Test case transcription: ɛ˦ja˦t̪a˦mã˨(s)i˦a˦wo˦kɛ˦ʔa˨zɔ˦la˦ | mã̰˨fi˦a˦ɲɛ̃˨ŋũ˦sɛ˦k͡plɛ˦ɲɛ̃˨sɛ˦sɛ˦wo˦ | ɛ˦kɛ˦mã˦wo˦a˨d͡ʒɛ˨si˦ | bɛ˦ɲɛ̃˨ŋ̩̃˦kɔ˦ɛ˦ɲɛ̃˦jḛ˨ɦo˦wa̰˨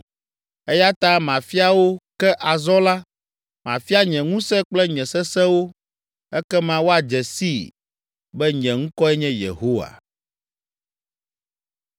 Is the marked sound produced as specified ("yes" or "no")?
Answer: no